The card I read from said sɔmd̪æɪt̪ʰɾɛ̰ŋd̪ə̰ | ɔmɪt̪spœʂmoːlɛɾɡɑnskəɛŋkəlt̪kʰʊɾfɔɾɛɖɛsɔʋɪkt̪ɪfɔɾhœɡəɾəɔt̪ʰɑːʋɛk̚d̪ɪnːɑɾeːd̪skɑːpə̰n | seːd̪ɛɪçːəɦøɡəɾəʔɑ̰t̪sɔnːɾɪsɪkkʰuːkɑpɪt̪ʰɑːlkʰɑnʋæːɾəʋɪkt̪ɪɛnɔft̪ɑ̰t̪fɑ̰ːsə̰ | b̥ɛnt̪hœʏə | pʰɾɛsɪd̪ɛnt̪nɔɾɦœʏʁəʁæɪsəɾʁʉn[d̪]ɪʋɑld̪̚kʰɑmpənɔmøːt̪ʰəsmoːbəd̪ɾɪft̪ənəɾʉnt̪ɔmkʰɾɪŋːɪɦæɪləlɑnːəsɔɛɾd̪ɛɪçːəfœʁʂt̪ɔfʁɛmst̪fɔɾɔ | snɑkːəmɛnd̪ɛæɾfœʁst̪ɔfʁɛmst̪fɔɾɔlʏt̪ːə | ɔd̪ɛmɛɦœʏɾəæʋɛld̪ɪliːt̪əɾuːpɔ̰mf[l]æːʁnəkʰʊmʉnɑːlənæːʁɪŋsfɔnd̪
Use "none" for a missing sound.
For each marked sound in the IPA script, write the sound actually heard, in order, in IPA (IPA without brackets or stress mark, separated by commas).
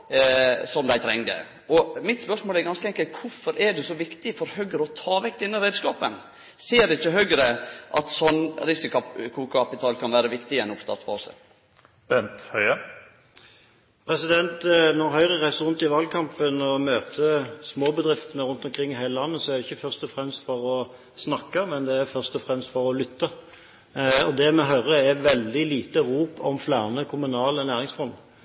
t̪, l